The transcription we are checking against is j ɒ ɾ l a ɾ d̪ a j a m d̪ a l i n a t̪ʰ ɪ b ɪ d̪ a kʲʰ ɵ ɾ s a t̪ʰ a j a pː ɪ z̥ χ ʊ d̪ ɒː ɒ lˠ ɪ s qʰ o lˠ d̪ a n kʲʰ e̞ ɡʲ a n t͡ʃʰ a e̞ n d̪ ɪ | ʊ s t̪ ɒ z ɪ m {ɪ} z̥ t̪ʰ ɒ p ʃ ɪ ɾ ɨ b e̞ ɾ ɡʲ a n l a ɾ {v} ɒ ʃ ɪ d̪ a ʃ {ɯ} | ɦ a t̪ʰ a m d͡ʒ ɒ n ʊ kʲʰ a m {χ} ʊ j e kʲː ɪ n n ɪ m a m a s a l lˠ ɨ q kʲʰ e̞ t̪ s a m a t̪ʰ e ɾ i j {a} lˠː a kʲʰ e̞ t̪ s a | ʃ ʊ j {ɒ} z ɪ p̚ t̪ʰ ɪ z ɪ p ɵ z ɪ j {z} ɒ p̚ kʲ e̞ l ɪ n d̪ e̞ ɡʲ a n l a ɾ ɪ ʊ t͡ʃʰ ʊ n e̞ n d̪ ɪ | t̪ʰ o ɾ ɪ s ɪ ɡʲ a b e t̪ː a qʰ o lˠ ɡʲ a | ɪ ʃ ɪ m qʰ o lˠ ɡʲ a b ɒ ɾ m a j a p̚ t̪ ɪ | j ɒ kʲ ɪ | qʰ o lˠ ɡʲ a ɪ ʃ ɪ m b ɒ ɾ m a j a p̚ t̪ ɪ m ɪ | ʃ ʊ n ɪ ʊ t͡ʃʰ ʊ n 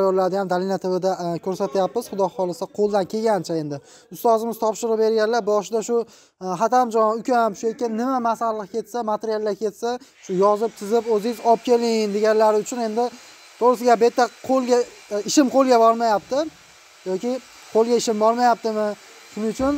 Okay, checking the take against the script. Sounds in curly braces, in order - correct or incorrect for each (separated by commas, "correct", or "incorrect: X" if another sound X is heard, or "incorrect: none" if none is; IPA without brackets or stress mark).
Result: correct, incorrect: b, incorrect: ʊ, incorrect: ʃ, correct, correct, correct